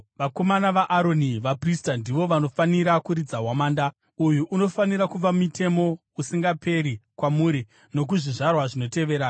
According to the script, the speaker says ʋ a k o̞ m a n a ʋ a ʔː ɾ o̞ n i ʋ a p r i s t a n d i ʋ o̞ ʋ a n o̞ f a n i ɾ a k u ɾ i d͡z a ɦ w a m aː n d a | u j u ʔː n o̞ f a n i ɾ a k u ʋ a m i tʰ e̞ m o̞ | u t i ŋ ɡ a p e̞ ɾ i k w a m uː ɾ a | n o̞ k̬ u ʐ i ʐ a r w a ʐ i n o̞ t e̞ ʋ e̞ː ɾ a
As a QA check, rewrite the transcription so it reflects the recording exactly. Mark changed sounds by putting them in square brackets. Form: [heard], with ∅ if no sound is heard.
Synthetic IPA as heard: ʋ a k o̞ m a n a ʋ a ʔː ɾ o̞ n i ʋ a p r i s t a n d i ʋ o̞ ʋ a n o̞ f a n i ɾ a k u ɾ i d͡z a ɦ w a m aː n d a | u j u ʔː n o̞ f a n i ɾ a k u ʋ a m i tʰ e̞ m o̞ | u [s] i ŋ ɡ a p e̞ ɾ i k w a m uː ɾ [i] | n o̞ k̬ u ʐ i ʐ a r w a ʐ i n o̞ t e̞ ʋ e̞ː ɾ a